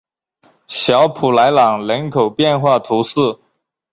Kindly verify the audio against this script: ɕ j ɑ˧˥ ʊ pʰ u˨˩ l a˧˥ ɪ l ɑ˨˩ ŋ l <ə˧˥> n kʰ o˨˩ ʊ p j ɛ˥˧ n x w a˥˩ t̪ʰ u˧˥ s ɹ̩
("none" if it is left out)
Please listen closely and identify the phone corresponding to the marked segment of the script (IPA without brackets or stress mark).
ə˧˥